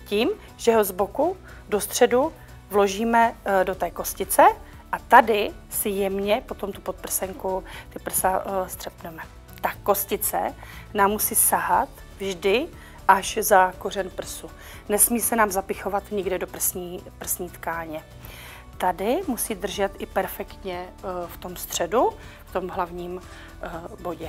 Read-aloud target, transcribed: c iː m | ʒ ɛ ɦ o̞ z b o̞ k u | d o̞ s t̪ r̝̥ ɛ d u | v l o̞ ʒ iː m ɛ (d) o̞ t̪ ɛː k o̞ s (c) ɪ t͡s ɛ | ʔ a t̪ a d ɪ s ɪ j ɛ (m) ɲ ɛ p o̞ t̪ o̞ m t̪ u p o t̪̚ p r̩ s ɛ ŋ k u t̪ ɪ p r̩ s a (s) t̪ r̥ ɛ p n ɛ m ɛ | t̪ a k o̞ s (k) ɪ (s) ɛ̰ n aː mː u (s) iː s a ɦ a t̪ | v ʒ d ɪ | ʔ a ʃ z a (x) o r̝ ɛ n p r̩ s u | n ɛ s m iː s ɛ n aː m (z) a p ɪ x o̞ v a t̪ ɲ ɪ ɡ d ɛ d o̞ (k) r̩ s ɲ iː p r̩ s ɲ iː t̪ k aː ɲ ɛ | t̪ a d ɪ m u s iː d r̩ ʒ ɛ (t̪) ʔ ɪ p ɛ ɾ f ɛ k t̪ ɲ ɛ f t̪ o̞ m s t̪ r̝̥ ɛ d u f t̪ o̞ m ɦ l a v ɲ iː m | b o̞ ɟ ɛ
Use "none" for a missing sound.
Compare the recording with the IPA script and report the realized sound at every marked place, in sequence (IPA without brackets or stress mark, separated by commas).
d, c, m, s, c, t͡s, s, k, z, p, t̪